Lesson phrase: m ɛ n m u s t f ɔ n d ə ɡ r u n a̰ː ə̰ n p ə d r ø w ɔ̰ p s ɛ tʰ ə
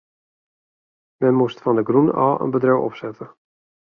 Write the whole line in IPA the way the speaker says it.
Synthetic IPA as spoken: m ɛ n m u s t f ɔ n d ə ɡ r u n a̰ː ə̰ n b ə d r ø w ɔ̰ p s ɛ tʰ ə